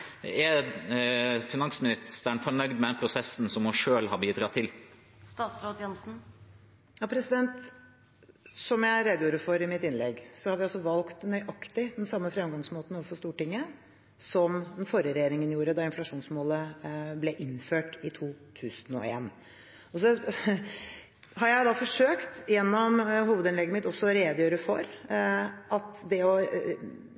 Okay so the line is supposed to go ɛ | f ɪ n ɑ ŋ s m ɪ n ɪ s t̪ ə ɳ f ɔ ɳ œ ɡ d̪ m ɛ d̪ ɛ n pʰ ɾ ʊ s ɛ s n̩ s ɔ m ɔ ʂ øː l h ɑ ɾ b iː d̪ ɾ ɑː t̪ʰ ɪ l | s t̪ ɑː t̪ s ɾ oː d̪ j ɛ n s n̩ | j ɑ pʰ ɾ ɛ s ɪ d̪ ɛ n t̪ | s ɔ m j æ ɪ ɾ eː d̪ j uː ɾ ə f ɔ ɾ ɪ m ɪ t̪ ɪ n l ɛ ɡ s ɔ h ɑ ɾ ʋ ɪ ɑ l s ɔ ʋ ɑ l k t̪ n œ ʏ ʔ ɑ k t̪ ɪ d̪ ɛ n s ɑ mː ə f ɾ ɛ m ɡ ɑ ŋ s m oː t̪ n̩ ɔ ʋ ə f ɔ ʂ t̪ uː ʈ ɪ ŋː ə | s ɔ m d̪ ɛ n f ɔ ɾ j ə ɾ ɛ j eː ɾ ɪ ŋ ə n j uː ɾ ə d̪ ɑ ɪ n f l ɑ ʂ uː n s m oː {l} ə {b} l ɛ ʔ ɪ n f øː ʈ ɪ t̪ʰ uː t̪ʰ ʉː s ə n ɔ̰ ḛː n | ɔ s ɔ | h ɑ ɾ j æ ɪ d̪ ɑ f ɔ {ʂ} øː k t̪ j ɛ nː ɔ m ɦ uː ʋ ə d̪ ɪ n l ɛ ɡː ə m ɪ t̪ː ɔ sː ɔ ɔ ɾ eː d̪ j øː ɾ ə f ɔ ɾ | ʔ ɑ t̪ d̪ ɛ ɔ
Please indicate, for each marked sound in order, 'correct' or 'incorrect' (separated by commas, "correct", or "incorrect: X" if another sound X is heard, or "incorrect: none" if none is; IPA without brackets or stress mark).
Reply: correct, correct, correct